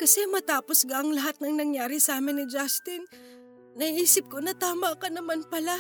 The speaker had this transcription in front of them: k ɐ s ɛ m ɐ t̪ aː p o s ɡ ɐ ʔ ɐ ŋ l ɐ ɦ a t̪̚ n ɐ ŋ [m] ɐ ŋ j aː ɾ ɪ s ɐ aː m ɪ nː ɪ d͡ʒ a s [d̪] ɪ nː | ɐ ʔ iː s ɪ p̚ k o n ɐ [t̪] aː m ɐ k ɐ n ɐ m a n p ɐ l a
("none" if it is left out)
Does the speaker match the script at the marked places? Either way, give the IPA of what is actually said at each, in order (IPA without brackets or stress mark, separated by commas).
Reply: n, t̪, t̪